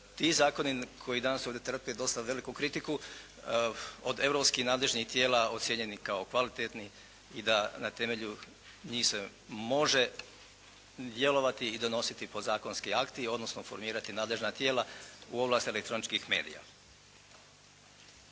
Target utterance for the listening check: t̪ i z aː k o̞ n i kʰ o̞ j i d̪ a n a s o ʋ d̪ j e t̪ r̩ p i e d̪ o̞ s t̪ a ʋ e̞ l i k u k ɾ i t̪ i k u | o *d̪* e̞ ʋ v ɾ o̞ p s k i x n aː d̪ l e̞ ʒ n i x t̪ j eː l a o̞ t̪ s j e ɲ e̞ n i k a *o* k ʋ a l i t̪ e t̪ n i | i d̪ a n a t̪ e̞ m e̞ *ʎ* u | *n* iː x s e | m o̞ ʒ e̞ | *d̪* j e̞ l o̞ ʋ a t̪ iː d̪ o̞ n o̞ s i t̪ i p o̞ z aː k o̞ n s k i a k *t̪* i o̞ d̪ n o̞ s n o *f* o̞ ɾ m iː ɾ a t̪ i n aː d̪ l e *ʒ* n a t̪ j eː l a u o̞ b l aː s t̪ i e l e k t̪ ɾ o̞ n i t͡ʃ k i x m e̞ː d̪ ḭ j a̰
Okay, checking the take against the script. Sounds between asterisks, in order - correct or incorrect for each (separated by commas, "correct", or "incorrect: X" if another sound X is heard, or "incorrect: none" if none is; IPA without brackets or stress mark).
correct, correct, correct, incorrect: ɲ, correct, correct, correct, correct